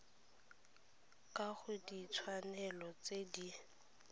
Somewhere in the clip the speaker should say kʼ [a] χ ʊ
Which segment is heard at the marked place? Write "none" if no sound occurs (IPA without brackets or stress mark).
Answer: a